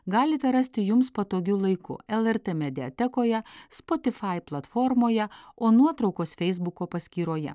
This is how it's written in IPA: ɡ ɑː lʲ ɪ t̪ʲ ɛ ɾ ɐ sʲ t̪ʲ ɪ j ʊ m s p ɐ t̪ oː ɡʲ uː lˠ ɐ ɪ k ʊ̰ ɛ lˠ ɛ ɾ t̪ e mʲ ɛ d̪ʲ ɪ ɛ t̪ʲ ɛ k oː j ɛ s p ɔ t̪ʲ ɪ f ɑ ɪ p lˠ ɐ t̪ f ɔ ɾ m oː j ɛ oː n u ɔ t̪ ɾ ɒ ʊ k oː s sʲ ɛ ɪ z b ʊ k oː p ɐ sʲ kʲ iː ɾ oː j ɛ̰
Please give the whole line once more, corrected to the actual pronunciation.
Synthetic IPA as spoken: ɡ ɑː lʲ ɪ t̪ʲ ɛ ɾ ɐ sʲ t̪ʲ ɪ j ʊ m s p ɐ t̪ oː ɡʲ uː lˠ ɐ ɪ k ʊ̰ ɛ lˠ ɛ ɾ t̪ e mʲ ɛ d̪ʲ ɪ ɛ t̪ʲ ɛ k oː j ɛ s p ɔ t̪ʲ ɪ f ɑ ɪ p lˠ ɐ t̪ f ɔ ɾ m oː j ɛ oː n u ɔ t̪ ɾ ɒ ʊ k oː s fʲ ɛ ɪ z b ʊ k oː p ɐ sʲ kʲ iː ɾ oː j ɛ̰

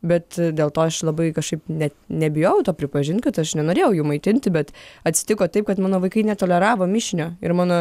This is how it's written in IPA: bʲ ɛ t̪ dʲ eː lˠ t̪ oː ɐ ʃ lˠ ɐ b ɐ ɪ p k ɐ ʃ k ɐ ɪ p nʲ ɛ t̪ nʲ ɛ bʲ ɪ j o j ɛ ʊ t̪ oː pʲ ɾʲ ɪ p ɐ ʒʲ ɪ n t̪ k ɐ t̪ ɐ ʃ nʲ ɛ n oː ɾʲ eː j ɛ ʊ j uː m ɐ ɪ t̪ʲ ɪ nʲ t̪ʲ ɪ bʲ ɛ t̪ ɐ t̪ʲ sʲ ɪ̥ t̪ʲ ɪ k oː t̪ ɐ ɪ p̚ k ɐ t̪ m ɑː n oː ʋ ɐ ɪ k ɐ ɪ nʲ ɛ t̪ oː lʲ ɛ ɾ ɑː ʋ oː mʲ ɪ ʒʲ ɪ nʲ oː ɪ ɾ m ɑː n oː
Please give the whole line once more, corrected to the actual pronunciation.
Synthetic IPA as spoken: bʲ ɛ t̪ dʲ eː lˠ t̪ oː ɐ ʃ lˠ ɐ b ɐ ɪ k ɐ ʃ k ɐ ɪ p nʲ ɛ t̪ nʲ ɛ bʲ ɪ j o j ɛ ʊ t̪ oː pʲ ɾʲ ɪ p ɐ ʒʲ ɪ n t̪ k ɐ t̪ ɐ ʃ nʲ ɛ n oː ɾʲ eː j ɛ ʊ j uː m ɐ ɪ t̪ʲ ɪ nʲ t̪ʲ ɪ bʲ ɛ t̪ ɐ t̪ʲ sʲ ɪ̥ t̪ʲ ɪ k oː t̪ ɐ ɪ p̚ k ɐ t̪ m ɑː n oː ʋ ɐ ɪ k ɐ ɪ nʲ ɛ t̪ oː lʲ ɛ ɾ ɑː ʋ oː mʲ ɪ ʃʲ ɪ nʲ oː ɪ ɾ m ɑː n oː

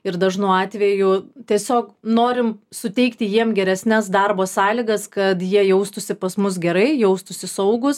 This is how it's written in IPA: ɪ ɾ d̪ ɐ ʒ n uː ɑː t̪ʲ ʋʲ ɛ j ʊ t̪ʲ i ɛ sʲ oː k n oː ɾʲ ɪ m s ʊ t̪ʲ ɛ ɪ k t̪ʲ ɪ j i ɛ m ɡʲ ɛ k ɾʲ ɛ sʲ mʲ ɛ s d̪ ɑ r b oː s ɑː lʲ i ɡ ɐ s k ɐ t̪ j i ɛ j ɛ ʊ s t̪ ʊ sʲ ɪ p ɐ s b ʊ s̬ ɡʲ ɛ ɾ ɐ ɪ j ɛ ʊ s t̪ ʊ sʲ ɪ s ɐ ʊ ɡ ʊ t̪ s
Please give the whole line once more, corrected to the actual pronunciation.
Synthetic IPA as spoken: ɪ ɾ d̪ ɐ ʒ n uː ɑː t̪ʲ ʋʲ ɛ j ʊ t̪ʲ i ɛ sʲ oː k n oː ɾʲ ɪ m s ʊ t̪ʲ ɛ ɪ k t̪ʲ ɪ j i ɛ m ɡʲ ɛ ɾʲ ɛ sʲ nʲ ɛ s d̪ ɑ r b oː s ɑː lʲ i ɡ ɐ s k ɐ t̪ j i ɛ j ɛ ʊ s t̪ ʊ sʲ ɪ p ɐ s m ʊ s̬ ɡʲ ɛ ɾ ɐ ɪ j ɛ ʊ s t̪ ʊ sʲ ɪ s ɐ ʊ ɡ ʊ s

